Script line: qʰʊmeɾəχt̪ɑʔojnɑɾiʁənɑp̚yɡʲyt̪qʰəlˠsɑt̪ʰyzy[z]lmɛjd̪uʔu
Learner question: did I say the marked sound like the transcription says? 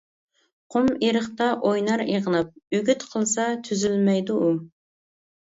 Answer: no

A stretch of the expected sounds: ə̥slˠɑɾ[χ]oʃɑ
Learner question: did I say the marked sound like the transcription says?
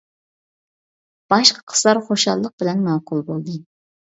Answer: yes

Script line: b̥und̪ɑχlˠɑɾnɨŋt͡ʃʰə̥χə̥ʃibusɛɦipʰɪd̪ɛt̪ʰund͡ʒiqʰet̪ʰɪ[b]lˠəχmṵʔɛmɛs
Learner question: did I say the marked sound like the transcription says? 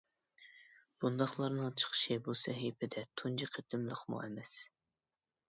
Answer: no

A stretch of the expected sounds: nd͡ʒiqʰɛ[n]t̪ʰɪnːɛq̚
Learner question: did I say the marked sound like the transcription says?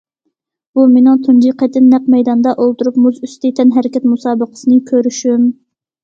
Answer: no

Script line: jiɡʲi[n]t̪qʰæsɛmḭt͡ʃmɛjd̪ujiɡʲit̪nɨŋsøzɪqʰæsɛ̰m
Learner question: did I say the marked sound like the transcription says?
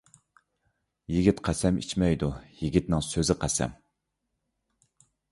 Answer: no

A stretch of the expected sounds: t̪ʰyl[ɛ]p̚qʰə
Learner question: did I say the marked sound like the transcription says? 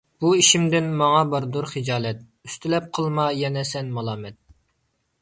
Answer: yes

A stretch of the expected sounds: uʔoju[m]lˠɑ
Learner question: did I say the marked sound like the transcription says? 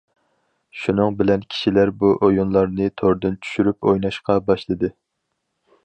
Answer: no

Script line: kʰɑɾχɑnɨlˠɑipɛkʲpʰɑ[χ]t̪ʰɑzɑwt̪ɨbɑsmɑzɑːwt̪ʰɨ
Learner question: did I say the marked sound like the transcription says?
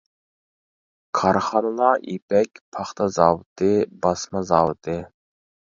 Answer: yes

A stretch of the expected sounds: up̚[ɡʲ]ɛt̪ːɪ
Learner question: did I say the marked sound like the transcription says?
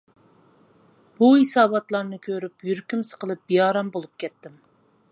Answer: no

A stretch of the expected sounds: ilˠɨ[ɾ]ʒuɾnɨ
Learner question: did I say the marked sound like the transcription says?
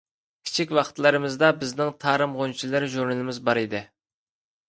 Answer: yes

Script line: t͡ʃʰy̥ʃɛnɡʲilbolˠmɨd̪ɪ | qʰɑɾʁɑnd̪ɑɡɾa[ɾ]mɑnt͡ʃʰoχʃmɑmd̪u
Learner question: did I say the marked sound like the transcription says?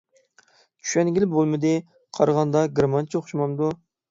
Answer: no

